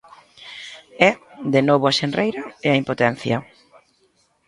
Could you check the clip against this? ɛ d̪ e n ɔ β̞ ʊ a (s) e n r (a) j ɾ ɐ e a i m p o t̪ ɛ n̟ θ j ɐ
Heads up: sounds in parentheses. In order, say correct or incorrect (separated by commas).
incorrect, incorrect